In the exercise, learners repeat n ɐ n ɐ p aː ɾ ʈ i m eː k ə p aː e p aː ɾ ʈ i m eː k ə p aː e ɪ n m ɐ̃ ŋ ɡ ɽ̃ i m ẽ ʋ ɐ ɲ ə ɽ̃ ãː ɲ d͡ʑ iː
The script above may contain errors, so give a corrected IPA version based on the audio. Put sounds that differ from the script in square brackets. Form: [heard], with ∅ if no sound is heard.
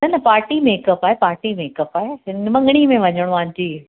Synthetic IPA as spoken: n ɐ n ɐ p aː ɾ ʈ i m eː k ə p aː e p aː ɾ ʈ i m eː k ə p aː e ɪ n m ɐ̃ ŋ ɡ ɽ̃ i m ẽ ʋ ɐ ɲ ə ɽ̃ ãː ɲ d͡ʑ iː